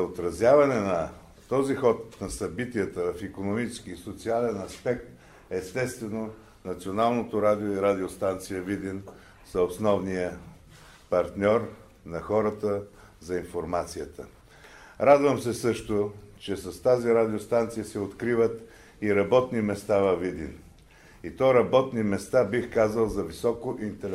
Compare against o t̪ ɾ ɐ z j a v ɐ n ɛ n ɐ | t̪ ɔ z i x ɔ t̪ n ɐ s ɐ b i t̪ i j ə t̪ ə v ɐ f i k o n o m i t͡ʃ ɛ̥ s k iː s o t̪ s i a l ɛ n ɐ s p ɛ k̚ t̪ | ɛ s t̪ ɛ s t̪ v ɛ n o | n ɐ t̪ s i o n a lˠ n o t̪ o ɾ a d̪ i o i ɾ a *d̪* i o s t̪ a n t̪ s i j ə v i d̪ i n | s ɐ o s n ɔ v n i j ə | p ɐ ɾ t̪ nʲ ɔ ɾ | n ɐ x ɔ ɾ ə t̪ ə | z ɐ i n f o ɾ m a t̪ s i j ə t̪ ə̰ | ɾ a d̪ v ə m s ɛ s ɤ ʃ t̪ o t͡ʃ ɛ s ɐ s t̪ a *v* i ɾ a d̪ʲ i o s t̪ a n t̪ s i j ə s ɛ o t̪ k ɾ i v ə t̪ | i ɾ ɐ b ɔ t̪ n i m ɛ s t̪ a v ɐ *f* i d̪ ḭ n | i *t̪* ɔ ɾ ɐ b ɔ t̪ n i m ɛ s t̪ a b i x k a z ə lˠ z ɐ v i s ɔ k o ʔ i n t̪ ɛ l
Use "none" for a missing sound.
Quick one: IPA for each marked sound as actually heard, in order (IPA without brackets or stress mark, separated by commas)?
d̪, z, v, t̪